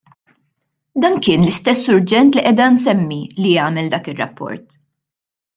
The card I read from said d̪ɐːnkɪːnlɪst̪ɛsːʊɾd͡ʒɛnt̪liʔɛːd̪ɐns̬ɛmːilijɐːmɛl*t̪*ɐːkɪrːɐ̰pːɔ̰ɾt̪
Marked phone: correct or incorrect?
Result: incorrect